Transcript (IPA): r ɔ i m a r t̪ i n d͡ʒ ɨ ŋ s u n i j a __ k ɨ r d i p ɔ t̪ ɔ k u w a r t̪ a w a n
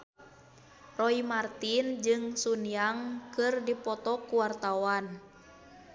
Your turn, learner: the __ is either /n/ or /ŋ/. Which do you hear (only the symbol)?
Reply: ŋ